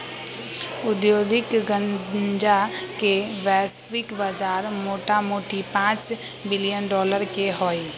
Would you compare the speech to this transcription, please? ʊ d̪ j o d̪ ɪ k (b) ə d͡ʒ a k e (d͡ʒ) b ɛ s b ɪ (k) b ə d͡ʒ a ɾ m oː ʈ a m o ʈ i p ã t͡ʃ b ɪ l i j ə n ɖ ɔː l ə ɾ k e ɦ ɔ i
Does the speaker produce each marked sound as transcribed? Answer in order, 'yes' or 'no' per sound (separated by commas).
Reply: no, no, yes